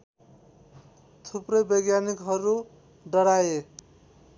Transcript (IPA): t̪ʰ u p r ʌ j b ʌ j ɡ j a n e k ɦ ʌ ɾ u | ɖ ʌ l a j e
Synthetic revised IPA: t̪ʰ u p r ʌ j b ʌ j ɡ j a n i k ɦ ʌ ɾ u | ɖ ʌ ɽ a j e